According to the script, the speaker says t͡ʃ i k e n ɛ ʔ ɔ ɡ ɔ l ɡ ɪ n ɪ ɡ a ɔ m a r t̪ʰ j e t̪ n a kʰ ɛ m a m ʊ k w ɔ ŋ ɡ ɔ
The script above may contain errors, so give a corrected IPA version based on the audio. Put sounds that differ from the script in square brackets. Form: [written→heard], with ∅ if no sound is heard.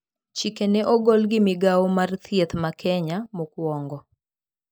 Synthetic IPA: t͡ʃ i k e n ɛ ʔ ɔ ɡ ɔ l ɡ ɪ [n→m] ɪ ɡ a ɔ m a r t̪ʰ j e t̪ [n→m] a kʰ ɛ [m→ɲ] a m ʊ k w ɔ ŋ ɡ ɔ